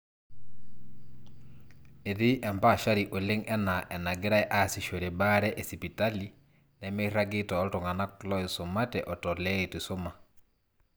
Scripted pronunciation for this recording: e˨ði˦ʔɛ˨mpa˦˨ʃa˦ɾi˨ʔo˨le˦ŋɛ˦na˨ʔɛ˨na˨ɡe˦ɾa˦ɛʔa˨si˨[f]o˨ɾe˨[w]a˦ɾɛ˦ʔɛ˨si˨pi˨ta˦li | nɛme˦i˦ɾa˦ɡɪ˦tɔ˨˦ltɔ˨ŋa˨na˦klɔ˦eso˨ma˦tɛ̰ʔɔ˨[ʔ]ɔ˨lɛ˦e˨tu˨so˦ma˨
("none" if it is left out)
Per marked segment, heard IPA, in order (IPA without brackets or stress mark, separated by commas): ʃ, b, t